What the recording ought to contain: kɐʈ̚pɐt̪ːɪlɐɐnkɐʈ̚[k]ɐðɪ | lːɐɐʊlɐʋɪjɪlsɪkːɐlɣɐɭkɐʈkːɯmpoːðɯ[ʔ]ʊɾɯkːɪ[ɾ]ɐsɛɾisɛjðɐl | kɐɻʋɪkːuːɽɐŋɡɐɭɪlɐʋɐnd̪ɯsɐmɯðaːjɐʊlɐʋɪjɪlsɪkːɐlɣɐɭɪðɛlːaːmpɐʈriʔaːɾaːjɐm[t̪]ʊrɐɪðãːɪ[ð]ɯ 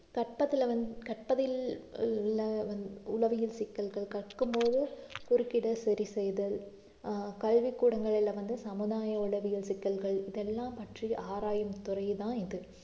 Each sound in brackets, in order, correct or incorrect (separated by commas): incorrect, incorrect, incorrect, correct, correct